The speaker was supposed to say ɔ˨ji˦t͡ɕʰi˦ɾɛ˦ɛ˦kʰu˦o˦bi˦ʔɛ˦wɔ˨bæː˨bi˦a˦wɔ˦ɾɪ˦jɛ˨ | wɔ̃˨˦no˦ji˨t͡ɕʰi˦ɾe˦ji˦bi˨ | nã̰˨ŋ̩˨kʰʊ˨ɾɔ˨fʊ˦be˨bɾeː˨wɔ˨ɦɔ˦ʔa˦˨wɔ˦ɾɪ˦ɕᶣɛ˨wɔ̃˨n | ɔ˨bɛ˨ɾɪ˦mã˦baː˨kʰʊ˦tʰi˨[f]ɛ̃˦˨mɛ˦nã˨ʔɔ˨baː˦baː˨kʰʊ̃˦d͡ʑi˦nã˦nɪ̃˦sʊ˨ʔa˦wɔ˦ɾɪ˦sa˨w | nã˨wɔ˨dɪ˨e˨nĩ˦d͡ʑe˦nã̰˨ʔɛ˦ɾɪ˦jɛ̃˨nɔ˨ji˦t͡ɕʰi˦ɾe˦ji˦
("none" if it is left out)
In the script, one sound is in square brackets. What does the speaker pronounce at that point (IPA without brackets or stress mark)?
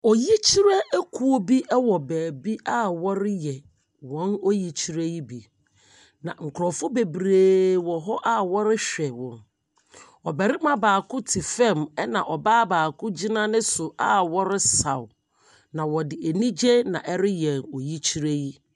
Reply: f